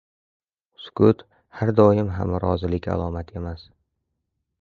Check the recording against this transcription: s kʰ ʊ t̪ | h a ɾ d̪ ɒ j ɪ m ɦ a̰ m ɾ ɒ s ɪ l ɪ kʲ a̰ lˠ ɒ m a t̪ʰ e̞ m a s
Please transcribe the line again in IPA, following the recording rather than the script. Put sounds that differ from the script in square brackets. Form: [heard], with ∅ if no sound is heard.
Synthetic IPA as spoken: s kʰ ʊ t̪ | h a ɾ d̪ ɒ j ɪ m ɦ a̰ m ɾ ɒ [z] ɪ l ɪ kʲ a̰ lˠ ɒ m a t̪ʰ e̞ m a s